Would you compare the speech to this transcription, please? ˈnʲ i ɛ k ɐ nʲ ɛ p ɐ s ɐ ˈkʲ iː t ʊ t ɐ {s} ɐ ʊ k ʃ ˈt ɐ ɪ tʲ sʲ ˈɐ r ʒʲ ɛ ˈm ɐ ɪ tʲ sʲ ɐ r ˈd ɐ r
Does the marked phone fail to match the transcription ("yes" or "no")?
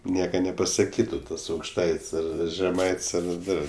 no